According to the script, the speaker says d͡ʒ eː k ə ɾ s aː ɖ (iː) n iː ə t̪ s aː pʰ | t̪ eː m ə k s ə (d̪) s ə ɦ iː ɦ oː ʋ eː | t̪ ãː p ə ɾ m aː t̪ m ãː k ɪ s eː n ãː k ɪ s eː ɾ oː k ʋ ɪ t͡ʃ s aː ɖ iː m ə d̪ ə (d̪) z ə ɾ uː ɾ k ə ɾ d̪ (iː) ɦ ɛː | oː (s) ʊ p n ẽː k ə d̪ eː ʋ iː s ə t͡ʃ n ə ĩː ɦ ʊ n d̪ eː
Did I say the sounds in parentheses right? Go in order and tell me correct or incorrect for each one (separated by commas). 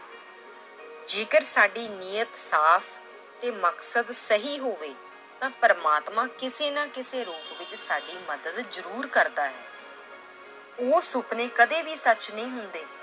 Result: correct, correct, correct, incorrect, correct